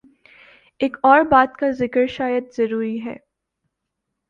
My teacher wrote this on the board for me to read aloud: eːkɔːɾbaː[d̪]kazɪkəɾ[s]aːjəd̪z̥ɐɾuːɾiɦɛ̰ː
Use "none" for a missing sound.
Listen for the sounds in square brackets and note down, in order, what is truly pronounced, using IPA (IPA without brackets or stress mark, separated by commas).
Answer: t̪, ʃ